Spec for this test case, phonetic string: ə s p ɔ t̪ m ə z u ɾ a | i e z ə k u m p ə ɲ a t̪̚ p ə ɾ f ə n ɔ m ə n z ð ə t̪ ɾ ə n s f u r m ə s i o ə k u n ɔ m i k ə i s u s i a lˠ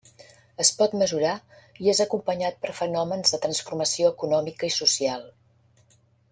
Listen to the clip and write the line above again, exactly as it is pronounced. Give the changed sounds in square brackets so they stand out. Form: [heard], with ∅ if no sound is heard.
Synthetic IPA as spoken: ə s p ɔ t̪ m ə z u ɾ a | i e z ə k u m p ə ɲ a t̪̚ p ə ɾ f ə n ɔ m ə n z ð ə t̪ ɾ ə n s f u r m ə s i o ə k u n ɔ m i k ə i s u s i a lˠ